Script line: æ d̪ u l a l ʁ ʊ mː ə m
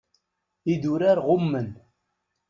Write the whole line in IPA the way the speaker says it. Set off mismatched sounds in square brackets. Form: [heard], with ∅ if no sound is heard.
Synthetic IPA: [i] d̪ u [ɾ] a [ɾ] ʁ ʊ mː ə [n]